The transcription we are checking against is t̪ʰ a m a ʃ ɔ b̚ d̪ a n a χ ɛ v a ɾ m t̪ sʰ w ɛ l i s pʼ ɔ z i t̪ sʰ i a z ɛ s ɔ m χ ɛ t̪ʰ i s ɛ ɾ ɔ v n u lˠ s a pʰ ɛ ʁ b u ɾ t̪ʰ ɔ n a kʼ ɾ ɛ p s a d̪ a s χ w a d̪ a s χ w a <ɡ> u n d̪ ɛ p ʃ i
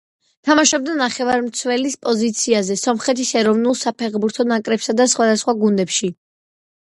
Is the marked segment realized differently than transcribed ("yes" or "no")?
no